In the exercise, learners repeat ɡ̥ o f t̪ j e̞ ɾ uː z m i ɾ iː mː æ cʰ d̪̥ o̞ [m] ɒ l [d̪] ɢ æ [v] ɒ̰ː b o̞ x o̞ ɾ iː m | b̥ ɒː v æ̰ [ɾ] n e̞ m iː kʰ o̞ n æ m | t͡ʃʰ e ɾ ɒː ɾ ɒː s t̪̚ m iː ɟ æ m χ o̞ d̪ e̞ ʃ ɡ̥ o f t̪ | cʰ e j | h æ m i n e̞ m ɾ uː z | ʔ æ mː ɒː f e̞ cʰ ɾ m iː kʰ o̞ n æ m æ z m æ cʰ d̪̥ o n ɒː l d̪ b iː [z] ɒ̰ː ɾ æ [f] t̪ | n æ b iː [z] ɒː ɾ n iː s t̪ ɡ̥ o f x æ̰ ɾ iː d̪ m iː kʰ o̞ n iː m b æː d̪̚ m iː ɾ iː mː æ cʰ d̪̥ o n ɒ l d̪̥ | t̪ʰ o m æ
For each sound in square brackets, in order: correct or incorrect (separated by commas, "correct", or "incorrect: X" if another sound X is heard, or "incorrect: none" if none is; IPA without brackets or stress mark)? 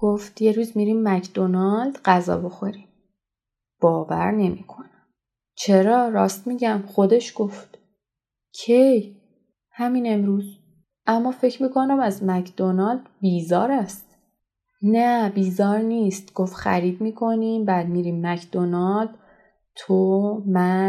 incorrect: n, correct, incorrect: z, correct, correct, incorrect: s, correct